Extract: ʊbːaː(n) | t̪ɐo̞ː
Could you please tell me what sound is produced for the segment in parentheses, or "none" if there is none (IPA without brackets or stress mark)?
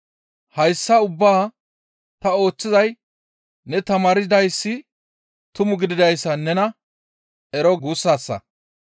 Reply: none